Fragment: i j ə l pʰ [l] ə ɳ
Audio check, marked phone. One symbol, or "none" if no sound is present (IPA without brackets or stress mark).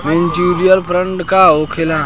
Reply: ɾ